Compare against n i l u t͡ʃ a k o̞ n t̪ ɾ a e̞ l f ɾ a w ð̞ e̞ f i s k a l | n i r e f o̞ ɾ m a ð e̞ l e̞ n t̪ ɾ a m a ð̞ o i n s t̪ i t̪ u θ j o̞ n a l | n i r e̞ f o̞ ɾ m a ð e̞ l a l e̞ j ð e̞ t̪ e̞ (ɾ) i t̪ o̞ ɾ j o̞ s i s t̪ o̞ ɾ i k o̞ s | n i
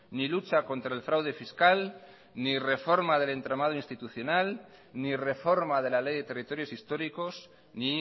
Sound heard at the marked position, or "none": r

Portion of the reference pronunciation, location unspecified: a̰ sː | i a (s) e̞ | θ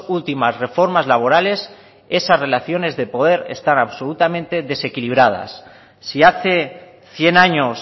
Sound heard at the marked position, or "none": θ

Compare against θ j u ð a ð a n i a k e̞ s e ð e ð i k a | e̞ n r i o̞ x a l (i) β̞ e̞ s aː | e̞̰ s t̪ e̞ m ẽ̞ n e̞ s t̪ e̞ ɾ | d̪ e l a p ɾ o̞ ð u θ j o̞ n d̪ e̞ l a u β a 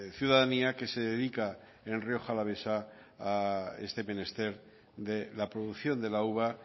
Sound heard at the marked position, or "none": a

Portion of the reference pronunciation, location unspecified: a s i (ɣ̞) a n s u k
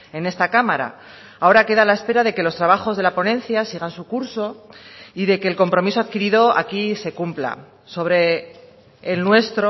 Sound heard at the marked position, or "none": ɣ̞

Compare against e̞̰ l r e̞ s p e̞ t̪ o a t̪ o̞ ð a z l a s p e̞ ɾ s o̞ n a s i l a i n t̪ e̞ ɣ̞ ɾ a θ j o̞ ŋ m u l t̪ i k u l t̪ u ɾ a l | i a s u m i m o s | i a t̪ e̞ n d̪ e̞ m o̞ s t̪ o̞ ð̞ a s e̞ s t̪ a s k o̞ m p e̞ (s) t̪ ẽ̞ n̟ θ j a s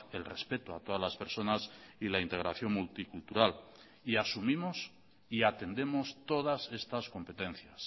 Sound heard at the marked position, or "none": none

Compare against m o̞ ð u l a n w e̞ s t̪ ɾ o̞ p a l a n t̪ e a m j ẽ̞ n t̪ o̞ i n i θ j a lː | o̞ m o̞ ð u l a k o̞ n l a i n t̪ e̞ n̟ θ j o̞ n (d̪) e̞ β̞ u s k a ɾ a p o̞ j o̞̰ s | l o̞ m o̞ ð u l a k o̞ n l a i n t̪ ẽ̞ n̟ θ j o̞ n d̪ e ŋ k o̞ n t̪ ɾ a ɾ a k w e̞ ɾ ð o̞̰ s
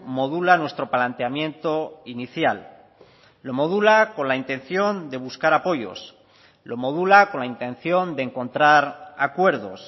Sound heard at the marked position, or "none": d̪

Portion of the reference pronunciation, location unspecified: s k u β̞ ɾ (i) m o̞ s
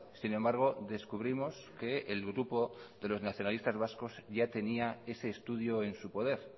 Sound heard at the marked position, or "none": i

